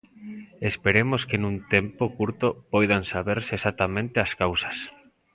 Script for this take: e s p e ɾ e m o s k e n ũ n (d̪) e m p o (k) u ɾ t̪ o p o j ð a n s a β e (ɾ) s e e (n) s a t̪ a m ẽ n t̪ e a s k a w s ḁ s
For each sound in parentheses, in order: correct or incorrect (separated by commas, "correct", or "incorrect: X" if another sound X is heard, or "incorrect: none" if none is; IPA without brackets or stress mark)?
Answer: incorrect: t̪, correct, correct, incorrect: none